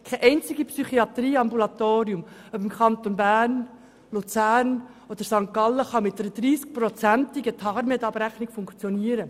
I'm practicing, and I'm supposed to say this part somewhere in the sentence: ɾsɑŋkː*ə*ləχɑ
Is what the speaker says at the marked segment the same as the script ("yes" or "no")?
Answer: no